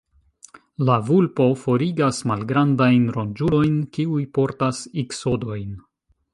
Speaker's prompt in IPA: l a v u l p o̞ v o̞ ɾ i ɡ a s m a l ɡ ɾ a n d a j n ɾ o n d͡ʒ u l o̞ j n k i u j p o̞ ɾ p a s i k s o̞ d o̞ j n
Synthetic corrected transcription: l a v u l p o̞ f o̞ ɾ i ɡ a s m a l ɡ ɾ a n d a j n ɾ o n d͡ʒ u l o̞ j n k i u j p o̞ ɾ t a s i k s o̞ d o̞ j n